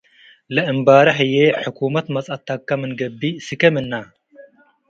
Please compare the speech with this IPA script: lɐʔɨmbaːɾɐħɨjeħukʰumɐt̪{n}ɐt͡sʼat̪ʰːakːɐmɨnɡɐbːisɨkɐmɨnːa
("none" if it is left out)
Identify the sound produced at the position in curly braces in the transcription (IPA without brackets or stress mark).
m